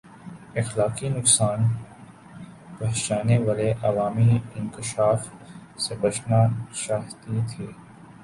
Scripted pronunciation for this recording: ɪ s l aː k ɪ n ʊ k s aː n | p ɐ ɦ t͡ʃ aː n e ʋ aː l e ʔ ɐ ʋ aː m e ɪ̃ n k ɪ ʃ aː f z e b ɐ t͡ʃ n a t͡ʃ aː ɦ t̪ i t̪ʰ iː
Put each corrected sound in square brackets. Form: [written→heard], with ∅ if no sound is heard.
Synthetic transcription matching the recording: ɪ [s→x] l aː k [ɪ→i] n ʊ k s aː n | p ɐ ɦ t͡ʃ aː n e ʋ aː l e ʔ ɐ ʋ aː m [e→i] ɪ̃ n k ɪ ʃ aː f [z→s] e b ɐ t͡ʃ n a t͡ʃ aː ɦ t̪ i t̪ʰ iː